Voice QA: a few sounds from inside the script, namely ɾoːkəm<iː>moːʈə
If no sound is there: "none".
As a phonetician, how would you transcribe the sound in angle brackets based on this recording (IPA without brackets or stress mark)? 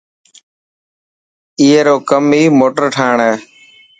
iː